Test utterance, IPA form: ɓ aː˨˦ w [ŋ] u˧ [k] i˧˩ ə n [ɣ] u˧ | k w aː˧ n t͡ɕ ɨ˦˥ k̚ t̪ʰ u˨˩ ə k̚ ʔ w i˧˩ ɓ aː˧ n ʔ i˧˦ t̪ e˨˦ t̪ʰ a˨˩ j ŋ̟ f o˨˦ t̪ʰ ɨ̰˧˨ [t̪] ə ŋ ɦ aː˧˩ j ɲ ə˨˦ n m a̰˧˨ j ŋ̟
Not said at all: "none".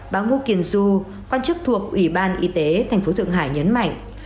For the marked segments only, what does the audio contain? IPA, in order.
ŋ, k, z, none

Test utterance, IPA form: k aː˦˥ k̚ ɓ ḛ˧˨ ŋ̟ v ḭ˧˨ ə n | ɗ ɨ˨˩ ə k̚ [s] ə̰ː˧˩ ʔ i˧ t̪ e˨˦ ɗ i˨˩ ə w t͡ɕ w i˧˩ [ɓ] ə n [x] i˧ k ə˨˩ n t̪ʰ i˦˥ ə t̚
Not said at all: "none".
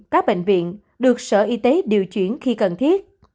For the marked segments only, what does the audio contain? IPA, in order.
s, none, x

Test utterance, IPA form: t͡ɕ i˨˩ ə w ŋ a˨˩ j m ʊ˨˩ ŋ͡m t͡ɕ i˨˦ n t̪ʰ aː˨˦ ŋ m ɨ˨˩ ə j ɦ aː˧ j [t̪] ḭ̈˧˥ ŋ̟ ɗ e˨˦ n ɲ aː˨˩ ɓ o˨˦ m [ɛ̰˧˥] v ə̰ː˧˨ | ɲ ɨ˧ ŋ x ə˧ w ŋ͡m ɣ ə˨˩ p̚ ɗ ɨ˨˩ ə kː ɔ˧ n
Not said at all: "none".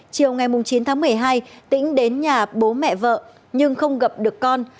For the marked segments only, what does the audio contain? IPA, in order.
t̪, ɛ̰˧˨

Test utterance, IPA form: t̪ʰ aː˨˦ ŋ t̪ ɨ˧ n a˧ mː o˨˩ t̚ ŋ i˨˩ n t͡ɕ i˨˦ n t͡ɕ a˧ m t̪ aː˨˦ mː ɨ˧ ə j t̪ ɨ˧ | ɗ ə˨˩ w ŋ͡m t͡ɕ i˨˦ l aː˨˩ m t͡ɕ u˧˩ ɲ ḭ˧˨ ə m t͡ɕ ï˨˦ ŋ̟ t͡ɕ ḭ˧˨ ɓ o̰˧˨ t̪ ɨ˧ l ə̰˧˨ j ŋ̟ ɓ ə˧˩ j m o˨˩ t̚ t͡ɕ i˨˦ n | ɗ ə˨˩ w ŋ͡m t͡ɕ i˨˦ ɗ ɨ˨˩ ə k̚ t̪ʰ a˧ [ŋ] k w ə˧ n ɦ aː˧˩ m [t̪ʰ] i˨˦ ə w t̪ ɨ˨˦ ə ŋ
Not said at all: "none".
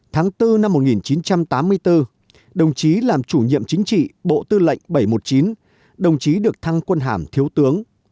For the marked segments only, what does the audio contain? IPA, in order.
ŋ, t̪ʰ

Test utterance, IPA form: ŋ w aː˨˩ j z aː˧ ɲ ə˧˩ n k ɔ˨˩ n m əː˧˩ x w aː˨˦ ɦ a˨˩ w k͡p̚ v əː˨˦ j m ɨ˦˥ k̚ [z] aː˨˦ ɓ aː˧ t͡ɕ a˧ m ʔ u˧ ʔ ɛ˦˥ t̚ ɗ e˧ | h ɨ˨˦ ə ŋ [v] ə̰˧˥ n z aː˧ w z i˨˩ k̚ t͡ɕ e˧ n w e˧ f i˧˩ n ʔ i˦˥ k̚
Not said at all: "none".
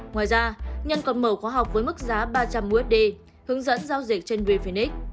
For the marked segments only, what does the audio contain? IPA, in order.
z, z

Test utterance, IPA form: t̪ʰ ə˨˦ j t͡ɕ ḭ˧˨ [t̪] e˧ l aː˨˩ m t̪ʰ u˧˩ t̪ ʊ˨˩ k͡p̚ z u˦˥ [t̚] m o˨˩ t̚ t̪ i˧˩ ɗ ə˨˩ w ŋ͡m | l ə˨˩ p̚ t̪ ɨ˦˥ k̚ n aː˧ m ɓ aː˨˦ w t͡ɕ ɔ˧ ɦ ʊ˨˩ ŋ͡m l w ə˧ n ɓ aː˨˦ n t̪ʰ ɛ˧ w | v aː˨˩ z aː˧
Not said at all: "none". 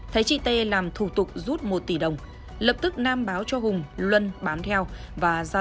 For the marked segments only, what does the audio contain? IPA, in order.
t̪, t̚

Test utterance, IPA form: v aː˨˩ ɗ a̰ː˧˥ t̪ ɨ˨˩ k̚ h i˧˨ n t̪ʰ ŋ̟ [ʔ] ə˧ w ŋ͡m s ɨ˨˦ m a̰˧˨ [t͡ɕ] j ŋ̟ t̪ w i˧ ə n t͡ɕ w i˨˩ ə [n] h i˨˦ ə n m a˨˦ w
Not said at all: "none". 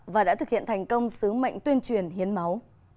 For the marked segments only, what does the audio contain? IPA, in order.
k, none, n

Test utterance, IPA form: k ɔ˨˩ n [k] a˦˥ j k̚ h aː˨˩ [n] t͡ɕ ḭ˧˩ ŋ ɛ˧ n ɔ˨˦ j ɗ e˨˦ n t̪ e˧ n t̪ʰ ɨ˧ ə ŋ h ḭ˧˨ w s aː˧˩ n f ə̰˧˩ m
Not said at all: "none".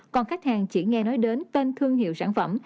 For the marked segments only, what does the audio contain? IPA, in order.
x, ŋ

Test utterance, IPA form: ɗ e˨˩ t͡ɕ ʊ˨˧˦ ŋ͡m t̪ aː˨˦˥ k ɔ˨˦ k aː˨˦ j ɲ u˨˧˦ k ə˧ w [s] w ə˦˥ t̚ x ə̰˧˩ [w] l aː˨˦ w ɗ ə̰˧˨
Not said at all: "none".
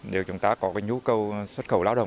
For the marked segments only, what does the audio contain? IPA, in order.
s, w

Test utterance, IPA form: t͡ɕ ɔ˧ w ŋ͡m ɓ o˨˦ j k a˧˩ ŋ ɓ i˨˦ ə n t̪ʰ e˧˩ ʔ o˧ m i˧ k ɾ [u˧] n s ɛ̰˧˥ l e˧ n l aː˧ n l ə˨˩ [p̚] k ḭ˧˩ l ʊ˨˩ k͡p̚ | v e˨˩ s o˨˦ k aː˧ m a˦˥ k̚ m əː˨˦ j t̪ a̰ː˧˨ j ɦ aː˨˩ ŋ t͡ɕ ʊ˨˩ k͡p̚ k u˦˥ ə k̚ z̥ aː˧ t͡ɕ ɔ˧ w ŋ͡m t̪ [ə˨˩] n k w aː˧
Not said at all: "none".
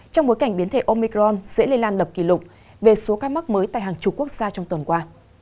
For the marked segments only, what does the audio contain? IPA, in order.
ɔ˧, p̚, ə˨˩

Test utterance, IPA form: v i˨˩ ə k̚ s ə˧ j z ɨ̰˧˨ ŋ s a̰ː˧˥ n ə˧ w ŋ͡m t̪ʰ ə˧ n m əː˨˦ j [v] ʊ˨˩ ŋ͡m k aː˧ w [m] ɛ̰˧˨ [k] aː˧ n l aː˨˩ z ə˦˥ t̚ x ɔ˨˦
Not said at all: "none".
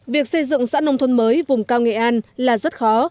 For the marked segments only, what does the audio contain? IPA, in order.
v, ŋ, ʔ

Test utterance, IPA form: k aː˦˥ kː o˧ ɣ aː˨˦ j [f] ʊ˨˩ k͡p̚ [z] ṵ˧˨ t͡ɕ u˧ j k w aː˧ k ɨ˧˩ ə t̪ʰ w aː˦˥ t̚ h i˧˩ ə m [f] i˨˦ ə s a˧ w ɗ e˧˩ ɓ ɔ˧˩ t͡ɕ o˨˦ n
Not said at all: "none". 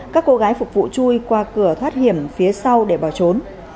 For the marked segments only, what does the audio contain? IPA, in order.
f, v, f

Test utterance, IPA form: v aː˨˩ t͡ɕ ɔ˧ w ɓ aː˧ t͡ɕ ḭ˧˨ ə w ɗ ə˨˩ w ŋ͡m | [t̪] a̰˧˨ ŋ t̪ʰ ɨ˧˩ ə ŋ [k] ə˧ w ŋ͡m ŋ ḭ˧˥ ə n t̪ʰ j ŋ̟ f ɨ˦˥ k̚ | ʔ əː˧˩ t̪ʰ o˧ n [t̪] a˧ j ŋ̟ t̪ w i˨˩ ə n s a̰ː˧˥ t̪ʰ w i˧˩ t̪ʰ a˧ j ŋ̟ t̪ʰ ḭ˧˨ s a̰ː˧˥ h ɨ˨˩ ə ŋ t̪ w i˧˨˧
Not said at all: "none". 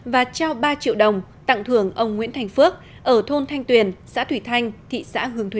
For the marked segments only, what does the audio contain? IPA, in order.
t̪, ʔ, t̪ʰ

